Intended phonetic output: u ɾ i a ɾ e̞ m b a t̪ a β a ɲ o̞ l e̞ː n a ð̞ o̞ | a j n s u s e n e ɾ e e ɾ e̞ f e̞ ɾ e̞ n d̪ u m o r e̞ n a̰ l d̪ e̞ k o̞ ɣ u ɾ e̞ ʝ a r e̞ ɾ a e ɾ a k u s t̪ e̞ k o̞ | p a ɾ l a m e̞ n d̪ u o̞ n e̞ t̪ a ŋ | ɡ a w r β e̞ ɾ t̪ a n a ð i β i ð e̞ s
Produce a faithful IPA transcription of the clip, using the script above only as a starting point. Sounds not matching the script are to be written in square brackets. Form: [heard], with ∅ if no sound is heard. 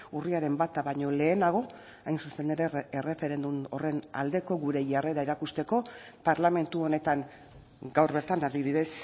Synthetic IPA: u [r] i a ɾ e̞ m b a t̪ a β a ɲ o̞ l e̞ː n a [ɣ̞] o̞ | a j n s u s e n e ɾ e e [r] e̞ f e̞ ɾ e̞ n d̪ u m o r e̞ n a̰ l d̪ e̞ k o̞ ɣ u ɾ e̞ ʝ a r e̞ ɾ a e ɾ a k u s t̪ e̞ k o̞ | p a ɾ l a m e̞ n [t̪] u o̞ n e̞ t̪ a ŋ | ɡ a w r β e̞ ɾ t̪ a n a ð i β i ð e̞ s